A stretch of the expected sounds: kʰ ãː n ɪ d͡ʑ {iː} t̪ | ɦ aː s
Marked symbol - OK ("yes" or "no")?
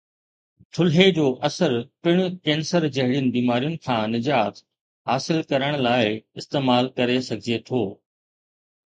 no